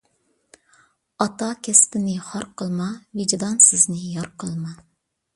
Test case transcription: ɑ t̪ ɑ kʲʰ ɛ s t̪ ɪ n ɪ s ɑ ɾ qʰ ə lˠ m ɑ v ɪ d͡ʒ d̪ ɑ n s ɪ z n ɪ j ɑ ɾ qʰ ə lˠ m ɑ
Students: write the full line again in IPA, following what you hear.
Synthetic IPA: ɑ t̪ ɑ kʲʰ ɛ s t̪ ɪ n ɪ χ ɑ ɾ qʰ ə lˠ m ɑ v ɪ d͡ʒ d̪ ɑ n s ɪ z n ɪ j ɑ ɾ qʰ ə lˠ m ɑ